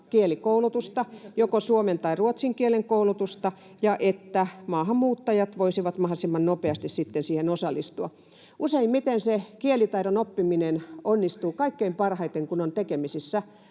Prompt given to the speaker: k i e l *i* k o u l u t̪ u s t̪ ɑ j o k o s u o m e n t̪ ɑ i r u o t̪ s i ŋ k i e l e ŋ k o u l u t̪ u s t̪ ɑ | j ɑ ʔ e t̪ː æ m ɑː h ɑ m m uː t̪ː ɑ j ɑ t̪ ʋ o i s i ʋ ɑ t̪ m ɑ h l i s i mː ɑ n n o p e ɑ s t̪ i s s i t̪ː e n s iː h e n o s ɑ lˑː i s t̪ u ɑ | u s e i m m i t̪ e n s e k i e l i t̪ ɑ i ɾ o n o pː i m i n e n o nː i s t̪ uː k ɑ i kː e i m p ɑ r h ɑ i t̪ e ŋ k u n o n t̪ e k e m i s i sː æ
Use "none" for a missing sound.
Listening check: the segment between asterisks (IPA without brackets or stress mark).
i